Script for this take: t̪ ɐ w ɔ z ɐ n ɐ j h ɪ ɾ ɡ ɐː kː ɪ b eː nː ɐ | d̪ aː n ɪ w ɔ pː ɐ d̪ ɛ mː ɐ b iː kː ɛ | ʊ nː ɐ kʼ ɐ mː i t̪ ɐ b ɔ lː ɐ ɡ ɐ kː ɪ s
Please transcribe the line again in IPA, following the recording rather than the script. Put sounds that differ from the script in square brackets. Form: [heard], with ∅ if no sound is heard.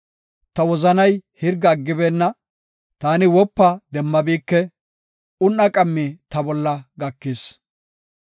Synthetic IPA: t̪ ɐ w ɔ z ɐ n ɐ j h ɪ ɾ ɡ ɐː [ɡː] ɪ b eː nː ɐ | [t̪] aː n ɪ w ɔ pː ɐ d̪ ɛ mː ɐ b iː kː ɛ | ʊ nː ɐ kʼ ɐ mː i t̪ ɐ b ɔ lː ɐ ɡ ɐ kː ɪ s